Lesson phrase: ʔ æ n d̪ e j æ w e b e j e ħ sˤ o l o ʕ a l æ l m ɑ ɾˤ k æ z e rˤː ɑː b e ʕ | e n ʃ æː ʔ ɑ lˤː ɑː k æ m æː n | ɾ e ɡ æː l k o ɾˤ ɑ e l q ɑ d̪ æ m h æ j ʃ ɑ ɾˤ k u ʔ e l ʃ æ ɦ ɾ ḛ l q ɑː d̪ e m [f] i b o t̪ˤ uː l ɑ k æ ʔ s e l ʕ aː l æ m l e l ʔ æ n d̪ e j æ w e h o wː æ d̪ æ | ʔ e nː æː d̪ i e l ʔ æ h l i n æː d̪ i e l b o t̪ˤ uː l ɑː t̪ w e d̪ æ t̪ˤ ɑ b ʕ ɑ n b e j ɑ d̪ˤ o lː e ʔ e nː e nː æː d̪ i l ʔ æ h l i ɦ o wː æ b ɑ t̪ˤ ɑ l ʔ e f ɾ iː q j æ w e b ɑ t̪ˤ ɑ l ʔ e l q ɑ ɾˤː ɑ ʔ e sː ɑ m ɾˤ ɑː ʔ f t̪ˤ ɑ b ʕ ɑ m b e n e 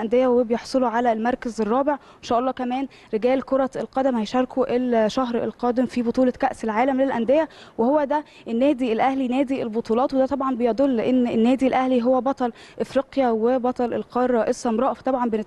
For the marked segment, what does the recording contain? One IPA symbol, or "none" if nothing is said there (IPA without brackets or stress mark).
f